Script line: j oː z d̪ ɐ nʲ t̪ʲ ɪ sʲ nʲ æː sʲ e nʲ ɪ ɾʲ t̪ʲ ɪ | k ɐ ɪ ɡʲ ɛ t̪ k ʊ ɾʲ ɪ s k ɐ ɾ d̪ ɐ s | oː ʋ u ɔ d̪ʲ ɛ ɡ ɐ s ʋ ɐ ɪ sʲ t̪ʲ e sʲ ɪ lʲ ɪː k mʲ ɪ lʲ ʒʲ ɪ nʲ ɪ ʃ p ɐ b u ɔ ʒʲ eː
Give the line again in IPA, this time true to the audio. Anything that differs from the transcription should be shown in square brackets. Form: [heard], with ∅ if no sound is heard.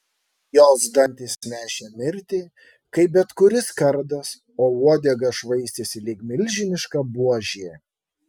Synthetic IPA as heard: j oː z d̪ ɐ nʲ t̪ʲ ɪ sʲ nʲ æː [ʃʲ] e [mʲ] ɪ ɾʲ t̪ʲ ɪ | k ɐ ɪ [bʲ] ɛ t̪ k ʊ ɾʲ ɪ s k ɐ ɾ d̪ ɐ s | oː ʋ u ɔ d̪ʲ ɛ ɡ ɐ [ʃ] ʋ ɐ ɪ sʲ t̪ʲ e sʲ ɪ lʲ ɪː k mʲ ɪ lʲ ʒʲ ɪ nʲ ɪ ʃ [k] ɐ b u ɔ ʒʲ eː